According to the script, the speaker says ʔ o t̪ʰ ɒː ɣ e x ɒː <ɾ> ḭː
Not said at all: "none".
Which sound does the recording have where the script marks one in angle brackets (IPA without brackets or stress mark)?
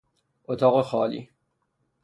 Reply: l